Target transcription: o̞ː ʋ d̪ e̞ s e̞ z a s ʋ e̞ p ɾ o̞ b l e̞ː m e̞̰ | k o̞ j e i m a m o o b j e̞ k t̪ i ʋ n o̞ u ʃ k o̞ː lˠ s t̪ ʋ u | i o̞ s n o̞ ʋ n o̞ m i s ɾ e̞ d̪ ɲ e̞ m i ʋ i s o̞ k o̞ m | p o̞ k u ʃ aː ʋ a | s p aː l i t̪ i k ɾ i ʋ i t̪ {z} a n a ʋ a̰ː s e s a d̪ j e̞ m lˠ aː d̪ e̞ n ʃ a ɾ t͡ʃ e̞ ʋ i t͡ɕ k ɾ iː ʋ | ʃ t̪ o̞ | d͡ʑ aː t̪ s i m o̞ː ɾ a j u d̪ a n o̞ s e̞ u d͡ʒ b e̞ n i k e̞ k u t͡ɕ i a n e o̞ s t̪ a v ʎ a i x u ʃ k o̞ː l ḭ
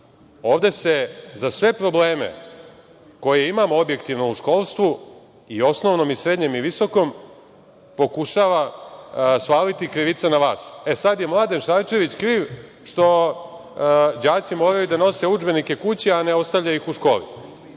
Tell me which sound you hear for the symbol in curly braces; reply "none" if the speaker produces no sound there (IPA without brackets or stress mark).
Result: s